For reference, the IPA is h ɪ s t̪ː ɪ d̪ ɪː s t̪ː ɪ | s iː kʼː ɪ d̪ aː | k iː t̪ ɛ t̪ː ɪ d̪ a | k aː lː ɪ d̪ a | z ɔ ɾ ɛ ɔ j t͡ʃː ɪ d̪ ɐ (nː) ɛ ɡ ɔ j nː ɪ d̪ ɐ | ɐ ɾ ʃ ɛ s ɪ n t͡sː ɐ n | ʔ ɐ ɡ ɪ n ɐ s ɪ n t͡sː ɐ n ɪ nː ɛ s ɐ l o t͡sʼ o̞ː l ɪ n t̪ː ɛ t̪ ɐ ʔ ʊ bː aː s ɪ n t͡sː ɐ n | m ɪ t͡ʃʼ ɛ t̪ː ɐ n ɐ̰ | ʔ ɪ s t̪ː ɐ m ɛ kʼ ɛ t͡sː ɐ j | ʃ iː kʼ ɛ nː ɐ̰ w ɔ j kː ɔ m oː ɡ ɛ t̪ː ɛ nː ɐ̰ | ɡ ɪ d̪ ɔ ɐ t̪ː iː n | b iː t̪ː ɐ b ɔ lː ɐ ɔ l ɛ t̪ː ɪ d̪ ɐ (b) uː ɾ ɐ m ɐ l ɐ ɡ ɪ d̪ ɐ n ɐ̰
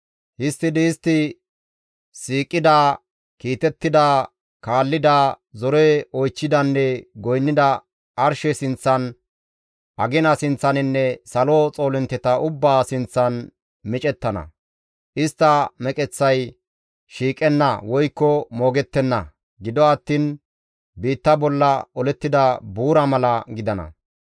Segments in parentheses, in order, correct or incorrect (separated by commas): correct, correct